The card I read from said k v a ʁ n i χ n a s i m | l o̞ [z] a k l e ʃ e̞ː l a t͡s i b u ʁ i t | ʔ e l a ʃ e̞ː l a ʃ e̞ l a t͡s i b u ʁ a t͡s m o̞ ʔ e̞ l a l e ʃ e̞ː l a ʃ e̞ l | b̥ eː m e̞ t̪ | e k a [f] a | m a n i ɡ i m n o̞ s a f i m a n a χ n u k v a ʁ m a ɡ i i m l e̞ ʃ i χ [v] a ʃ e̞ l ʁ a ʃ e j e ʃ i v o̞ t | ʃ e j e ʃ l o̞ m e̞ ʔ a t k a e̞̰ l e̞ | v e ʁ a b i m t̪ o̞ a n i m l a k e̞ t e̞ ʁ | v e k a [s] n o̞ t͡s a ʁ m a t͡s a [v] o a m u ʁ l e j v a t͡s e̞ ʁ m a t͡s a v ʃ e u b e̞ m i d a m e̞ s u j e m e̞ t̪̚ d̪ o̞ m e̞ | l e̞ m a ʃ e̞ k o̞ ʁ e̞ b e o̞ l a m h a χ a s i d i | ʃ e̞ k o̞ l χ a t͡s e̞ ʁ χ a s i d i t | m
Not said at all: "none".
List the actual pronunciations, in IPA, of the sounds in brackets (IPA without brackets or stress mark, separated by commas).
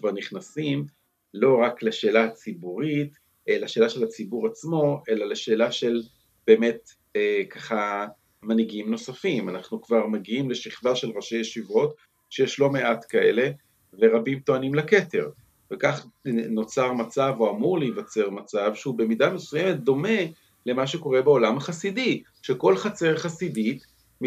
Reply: ʁ, χ, v, χ, v